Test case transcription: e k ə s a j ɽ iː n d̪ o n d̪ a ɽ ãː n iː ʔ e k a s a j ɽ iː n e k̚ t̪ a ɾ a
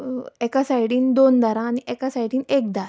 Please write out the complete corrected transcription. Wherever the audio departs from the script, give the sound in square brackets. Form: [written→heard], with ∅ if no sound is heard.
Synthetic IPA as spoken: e k [ə→a] s a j ɽ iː n d̪ o n d̪ a [ɽ→ɾ] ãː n [iː→i] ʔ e k a s a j ɽ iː n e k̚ [t̪→d̪] a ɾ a